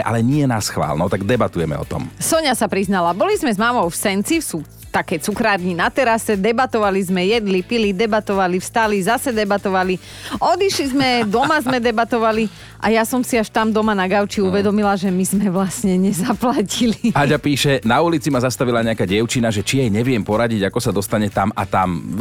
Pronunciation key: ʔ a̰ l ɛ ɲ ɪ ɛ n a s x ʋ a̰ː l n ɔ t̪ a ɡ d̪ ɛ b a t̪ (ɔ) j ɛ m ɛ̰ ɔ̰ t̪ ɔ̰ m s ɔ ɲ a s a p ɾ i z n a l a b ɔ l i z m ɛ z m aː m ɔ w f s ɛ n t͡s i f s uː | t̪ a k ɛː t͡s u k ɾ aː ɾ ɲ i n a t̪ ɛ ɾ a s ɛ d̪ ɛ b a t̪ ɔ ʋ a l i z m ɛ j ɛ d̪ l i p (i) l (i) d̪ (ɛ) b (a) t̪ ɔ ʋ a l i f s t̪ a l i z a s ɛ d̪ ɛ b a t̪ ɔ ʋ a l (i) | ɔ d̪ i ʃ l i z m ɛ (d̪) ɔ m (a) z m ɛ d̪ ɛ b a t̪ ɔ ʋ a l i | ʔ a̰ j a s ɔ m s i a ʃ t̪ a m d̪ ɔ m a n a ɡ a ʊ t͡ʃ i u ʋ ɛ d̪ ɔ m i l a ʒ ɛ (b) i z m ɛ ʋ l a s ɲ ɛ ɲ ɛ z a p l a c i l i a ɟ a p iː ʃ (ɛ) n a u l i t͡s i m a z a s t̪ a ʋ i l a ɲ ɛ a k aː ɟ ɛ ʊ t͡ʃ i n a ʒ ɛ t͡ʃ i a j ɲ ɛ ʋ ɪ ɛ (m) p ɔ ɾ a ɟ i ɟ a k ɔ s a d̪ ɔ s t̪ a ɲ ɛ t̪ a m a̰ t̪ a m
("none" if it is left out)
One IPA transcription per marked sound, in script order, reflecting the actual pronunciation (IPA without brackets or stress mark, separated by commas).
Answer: u, i, i, ɛ, a, i, d̪, a, m, ɛ, m